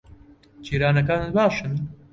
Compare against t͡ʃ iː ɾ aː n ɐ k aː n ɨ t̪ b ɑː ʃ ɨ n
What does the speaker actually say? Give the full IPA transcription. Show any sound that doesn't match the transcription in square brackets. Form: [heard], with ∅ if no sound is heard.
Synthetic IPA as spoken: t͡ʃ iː ɾ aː n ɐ k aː n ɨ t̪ b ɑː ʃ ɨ n